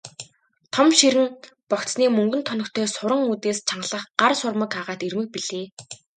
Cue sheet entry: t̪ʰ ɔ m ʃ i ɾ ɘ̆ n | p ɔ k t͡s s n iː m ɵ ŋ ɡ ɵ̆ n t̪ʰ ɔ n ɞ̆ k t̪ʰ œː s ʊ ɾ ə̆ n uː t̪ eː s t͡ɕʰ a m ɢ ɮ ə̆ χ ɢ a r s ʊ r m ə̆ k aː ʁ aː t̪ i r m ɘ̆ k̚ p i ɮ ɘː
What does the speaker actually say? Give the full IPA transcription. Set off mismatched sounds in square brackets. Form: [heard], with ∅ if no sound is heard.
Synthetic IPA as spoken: t̪ʰ ɔ m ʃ i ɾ ɘ̆ n | p ɔ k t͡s s n iː m ɵ ŋ ɡ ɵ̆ n t̪ʰ ɔ n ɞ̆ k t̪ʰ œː s ʊ ɾ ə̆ [ŋ] uː t̪ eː s t͡ɕʰ a [ɴ] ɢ ɮ ə̆ χ ɢ a r s ʊ r m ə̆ k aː ʁ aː t̪ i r m ɘ̆ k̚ p i ɮ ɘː